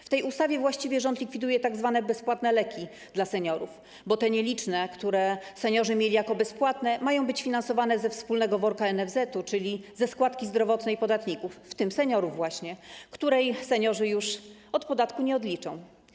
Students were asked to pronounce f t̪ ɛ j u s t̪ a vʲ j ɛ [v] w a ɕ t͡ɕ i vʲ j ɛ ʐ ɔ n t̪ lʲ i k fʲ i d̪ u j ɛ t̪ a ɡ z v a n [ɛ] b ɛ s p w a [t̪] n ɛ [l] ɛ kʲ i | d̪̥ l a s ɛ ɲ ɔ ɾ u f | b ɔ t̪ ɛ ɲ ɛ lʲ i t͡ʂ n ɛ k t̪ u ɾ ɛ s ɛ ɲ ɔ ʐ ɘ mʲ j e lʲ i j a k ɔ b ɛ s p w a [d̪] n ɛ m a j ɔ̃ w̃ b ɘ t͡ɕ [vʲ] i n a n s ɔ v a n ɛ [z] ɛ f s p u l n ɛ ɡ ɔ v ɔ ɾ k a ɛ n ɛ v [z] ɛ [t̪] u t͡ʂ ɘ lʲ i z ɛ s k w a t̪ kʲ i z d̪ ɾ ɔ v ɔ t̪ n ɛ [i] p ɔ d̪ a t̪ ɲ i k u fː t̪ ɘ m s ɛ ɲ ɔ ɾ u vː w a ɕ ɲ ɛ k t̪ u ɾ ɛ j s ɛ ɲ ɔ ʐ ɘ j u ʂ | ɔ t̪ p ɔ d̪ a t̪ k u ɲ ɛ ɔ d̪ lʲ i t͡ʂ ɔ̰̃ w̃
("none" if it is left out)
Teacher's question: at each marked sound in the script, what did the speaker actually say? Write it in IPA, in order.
v, ɛ, t̪, l, t̪, fʲ, z, z, t̪, j

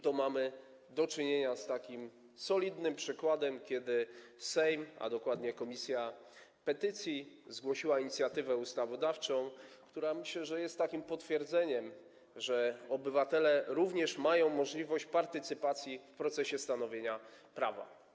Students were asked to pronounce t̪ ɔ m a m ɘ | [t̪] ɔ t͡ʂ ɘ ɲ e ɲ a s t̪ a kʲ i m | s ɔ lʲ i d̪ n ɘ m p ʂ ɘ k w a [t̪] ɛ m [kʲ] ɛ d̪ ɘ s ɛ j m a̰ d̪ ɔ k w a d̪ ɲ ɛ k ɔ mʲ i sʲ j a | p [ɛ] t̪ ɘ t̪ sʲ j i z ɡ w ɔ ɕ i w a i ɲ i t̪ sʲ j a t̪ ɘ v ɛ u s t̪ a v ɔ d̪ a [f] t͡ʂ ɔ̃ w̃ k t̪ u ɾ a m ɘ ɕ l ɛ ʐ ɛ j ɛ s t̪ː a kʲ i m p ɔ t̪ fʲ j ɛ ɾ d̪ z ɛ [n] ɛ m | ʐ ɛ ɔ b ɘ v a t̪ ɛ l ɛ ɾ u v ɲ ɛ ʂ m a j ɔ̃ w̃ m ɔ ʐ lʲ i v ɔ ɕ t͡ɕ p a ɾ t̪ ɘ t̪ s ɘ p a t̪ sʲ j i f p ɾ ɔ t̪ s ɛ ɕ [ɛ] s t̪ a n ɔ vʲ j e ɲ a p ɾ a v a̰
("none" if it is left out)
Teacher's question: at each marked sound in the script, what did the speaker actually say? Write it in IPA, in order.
d̪, d̪, kʲ, ɛ, f, ɲ, ɛ

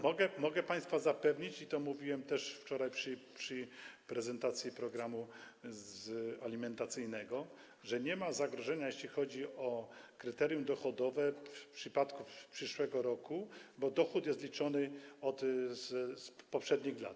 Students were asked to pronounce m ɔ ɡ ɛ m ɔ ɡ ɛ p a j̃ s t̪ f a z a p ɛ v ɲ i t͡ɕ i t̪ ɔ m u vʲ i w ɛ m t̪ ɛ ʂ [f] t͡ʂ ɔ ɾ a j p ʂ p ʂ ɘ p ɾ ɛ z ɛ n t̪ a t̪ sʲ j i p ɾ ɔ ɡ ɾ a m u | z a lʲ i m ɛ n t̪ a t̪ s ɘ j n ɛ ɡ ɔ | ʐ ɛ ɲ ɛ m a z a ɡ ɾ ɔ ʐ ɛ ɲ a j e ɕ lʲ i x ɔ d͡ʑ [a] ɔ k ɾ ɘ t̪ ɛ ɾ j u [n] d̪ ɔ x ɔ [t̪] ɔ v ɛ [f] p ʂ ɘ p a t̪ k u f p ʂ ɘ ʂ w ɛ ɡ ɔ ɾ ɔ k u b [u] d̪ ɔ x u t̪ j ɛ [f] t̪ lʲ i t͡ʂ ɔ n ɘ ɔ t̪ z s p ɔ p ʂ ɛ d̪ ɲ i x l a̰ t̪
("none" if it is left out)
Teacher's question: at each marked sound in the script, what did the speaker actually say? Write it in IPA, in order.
f, i, m, d̪, f, ɔ, s

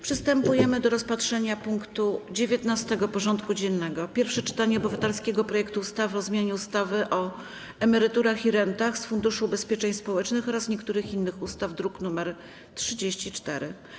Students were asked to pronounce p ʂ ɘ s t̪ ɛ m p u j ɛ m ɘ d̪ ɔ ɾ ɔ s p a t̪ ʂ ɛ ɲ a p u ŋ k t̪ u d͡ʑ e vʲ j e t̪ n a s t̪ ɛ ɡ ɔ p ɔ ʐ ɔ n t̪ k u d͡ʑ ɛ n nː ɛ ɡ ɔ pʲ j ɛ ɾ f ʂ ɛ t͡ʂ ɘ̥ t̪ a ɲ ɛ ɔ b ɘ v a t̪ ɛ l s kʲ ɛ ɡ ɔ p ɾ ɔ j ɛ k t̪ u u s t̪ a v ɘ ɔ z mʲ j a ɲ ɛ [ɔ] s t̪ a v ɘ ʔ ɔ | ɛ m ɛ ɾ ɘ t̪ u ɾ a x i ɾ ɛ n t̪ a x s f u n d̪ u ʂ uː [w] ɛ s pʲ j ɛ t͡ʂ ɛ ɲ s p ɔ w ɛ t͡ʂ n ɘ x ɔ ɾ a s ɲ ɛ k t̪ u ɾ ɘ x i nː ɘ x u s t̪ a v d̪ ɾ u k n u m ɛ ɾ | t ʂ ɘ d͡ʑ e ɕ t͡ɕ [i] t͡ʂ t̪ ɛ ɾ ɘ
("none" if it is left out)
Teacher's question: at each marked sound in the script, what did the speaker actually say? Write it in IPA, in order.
u, b, i

